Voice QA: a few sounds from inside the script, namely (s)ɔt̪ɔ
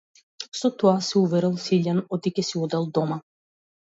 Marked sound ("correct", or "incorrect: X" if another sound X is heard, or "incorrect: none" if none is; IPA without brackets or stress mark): correct